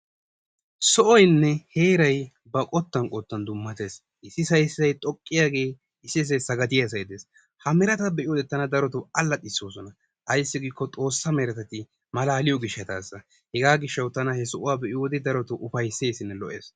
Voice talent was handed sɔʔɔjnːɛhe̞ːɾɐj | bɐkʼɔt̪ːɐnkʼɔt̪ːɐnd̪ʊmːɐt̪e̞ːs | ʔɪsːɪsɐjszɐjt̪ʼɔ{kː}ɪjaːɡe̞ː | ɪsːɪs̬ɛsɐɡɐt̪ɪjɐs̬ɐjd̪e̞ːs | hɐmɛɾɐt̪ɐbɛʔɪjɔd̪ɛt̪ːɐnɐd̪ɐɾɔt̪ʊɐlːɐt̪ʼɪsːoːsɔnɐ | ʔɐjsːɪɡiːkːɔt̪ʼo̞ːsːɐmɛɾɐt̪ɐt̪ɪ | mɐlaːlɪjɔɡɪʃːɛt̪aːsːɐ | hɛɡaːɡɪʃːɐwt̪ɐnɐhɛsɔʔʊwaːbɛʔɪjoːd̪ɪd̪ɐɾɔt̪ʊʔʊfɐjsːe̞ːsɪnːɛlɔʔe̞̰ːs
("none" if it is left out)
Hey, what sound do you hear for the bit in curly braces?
kʼː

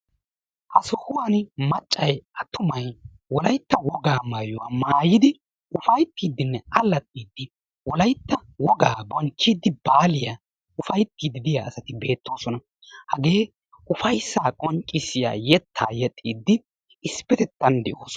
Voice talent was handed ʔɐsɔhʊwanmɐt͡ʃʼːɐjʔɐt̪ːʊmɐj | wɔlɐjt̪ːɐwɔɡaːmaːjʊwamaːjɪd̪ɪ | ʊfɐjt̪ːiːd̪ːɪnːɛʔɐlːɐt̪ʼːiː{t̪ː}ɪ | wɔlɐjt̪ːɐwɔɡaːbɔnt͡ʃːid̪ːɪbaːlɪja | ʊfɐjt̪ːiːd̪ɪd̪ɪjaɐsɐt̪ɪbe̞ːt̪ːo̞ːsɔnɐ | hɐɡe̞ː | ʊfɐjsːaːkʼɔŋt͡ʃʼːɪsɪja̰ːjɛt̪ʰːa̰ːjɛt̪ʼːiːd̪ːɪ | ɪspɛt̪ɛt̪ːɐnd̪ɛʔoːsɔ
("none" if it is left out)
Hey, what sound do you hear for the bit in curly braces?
d̪ː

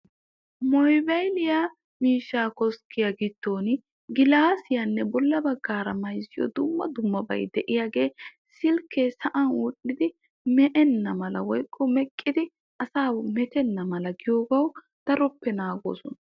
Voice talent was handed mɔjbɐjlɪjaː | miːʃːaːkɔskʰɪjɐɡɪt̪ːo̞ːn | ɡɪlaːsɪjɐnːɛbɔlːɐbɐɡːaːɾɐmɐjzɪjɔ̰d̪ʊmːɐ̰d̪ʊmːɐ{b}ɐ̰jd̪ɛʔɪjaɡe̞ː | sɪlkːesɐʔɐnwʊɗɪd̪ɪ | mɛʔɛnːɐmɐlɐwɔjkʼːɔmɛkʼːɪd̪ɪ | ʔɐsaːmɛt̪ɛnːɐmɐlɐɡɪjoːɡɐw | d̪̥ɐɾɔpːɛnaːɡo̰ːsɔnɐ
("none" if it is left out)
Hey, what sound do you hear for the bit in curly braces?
b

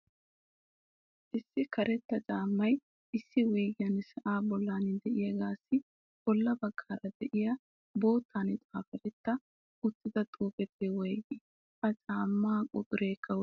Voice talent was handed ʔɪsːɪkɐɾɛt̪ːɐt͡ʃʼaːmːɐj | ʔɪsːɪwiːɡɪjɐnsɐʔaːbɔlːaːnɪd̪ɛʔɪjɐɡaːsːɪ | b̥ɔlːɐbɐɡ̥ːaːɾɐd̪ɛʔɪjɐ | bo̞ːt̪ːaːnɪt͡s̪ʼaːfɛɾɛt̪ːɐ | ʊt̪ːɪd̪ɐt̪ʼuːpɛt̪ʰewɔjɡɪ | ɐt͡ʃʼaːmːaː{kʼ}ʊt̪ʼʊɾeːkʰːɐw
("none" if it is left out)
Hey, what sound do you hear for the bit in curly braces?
kʼ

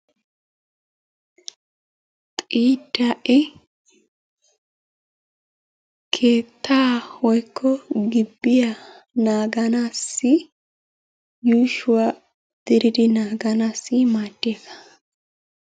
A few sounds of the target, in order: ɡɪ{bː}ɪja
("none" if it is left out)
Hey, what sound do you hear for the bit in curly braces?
bː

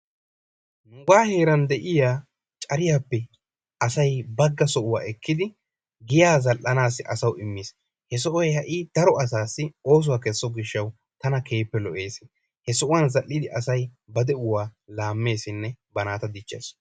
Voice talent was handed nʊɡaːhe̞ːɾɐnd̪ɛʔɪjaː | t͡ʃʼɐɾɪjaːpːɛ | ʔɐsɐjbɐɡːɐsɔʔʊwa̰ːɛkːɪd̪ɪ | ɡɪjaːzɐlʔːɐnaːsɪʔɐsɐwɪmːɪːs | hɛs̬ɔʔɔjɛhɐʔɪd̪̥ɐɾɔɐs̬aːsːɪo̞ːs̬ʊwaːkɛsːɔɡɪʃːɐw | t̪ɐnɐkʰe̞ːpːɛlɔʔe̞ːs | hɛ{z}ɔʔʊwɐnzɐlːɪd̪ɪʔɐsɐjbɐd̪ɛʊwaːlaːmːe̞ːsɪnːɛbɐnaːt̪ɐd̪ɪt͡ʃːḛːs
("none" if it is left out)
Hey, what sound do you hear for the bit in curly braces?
s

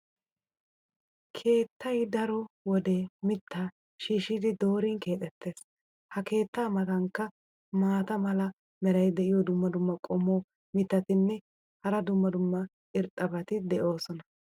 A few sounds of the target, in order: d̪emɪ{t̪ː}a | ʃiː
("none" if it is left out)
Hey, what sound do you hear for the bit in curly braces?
t̪ː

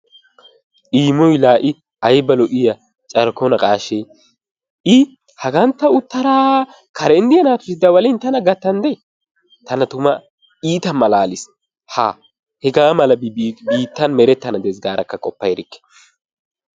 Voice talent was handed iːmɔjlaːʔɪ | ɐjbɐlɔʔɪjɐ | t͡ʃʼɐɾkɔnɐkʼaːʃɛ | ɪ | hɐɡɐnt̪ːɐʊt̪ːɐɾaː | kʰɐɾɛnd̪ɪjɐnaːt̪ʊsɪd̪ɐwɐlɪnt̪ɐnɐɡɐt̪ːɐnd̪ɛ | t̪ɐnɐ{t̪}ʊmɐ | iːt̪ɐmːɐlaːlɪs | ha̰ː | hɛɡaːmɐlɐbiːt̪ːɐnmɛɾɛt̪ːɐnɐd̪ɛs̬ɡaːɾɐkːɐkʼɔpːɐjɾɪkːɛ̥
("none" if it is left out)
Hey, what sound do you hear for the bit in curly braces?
t̪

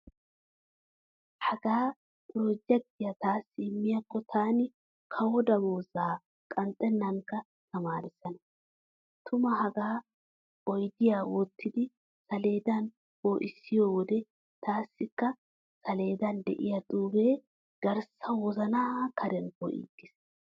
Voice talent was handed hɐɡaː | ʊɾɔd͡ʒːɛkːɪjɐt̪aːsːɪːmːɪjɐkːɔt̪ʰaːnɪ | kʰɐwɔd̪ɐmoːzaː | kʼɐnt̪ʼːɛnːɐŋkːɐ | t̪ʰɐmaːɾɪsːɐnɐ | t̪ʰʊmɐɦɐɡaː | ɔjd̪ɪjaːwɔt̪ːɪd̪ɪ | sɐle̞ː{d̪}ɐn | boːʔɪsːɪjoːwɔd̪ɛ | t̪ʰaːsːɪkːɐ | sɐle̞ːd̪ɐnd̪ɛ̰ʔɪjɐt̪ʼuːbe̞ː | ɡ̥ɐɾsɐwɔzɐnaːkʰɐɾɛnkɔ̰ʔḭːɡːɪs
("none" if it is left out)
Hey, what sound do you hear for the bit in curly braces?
d̪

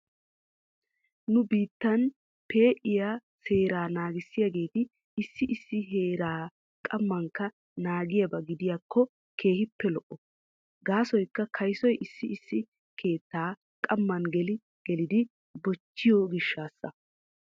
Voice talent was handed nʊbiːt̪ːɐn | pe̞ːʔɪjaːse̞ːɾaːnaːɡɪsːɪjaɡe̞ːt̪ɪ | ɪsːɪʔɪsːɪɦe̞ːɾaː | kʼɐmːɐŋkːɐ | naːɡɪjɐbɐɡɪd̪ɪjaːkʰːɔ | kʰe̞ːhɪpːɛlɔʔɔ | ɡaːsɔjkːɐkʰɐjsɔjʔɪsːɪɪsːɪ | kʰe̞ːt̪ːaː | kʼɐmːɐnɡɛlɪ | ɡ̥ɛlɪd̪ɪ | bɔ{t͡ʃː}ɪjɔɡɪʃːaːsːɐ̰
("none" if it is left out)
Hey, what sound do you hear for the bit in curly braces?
t͡ʃː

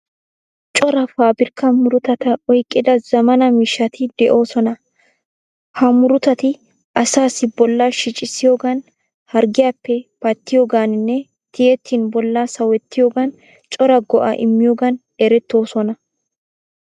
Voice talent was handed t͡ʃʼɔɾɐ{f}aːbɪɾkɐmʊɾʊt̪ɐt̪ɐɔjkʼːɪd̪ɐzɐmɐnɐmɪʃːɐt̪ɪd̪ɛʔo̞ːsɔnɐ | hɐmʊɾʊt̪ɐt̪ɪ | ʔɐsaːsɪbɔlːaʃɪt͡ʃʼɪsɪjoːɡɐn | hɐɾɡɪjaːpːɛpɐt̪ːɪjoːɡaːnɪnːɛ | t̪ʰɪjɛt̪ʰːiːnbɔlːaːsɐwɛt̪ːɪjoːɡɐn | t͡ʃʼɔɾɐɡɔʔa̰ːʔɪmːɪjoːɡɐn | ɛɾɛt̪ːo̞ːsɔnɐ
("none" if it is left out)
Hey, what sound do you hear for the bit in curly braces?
f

